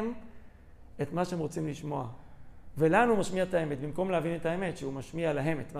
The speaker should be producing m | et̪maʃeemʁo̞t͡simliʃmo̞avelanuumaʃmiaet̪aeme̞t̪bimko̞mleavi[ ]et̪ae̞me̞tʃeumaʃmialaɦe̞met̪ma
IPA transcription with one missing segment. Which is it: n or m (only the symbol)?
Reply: n